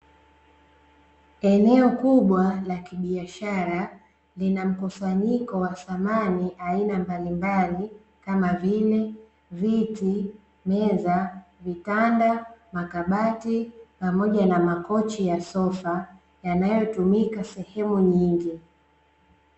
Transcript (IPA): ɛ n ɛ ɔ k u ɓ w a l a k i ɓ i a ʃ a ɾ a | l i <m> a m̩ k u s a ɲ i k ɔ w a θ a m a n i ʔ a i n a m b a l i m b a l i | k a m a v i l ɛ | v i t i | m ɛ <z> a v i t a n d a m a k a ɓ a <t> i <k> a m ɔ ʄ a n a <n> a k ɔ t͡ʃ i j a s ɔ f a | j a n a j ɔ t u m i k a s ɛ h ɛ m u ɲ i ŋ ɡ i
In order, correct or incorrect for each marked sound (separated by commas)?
incorrect, correct, correct, incorrect, incorrect